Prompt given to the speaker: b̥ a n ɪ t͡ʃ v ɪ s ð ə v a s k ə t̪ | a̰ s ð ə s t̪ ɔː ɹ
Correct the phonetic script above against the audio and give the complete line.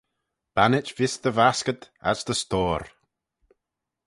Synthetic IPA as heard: b̥ a n ɪ t͡ʃ v ɪ s ð ə v a s k ə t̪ | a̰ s ð ə s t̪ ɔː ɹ

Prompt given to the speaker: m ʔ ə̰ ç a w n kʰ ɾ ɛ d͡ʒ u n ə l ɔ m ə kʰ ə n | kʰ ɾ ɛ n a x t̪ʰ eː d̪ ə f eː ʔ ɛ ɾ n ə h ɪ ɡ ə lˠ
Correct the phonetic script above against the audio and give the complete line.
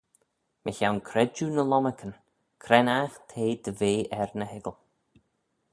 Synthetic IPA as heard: m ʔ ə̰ ç a w n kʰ ɾ ɛ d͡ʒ u n ə l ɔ m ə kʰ ə n | kʰ ɾ ɛ n a x t̪ʰ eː d̪ ə v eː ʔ ɛ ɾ n ə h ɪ ɡ ə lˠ

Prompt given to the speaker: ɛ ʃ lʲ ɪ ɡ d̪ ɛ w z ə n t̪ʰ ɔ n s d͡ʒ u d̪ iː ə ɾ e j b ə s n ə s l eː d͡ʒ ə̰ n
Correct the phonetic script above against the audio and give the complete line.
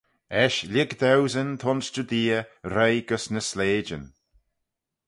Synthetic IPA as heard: ɛ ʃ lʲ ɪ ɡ d̪ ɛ w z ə n t̪ʰ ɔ n s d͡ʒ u d̪ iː ə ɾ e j ɡ ə s n ə s l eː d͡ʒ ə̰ n

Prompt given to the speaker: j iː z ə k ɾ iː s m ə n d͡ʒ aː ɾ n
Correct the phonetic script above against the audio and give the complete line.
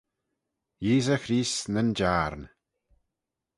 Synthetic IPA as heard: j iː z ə x ɾ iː s n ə n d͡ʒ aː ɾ n

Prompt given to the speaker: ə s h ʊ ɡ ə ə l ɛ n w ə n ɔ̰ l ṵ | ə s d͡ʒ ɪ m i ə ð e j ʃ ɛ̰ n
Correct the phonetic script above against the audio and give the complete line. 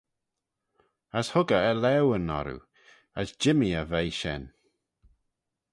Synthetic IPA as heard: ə s h ʊ ɡ ə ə l ɛ w ə n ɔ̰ ɾ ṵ | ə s d͡ʒ ɪ m i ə v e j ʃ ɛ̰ n

